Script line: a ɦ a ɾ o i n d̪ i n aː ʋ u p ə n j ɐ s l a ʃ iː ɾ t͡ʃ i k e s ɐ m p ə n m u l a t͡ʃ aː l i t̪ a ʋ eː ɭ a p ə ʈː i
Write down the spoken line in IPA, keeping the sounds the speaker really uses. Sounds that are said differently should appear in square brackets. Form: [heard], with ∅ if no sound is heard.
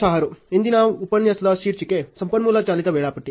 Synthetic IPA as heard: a ɦ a ɾ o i n d̪ i n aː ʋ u p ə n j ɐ s l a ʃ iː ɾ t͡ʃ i k e s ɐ m p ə n m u l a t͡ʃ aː l i t̪ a ʋ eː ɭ a p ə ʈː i